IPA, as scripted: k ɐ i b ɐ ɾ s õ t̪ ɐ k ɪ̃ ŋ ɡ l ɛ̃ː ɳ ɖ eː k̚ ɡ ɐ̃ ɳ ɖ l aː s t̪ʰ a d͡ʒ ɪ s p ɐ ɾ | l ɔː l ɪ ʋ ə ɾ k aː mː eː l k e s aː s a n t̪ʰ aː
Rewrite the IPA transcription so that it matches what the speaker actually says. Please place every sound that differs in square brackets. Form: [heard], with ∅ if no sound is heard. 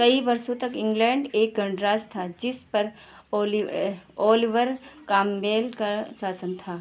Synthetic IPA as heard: k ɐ i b ɐ ɾ s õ t̪ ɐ k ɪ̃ ŋ ɡ l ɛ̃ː ɳ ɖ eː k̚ ɡ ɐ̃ ɳ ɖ [ɾ] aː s t̪ʰ a d͡ʒ ɪ s p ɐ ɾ | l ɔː l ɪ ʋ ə ɾ k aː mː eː l k [a] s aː s [ə] n t̪ʰ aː